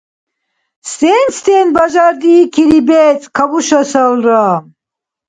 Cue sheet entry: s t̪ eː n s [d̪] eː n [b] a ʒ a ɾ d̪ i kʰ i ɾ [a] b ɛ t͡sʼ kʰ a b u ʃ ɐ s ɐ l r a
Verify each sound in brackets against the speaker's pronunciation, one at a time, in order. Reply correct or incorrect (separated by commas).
incorrect, correct, incorrect